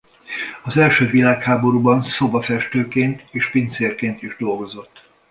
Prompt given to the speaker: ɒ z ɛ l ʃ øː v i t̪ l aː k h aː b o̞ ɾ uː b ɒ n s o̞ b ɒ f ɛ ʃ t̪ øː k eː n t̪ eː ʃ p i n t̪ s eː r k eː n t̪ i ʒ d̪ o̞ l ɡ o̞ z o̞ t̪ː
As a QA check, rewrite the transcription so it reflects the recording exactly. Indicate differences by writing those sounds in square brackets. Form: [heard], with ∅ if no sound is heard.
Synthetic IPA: ɒ z ɛ l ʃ øː v i [∅] l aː k h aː b o̞ ɾ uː b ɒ n s o̞ b ɒ f ɛ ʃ t̪ øː k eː n t̪ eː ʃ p i n t̪ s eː r k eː n t̪ i ʒ d̪ o̞ l ɡ o̞ z o̞ t̪ː